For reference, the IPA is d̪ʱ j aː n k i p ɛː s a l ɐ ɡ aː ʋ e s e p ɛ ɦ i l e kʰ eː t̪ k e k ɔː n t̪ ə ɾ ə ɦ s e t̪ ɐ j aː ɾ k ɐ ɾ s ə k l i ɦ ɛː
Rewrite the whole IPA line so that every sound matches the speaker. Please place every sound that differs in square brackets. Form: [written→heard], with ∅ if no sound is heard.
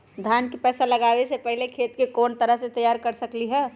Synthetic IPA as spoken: d̪ʱ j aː n k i p ɛː s a l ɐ ɡ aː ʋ e s e p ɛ ɦ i l e kʰ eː t̪ k e k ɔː n t̪ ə ɾ ə ɦ s e t̪ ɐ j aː ɾ k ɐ ɾ s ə k l i ɦ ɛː